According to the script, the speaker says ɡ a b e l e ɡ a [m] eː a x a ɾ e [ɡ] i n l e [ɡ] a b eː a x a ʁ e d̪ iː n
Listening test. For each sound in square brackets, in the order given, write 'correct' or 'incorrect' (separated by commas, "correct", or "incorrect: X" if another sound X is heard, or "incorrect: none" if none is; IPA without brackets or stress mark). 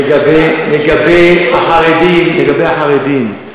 incorrect: b, incorrect: d, correct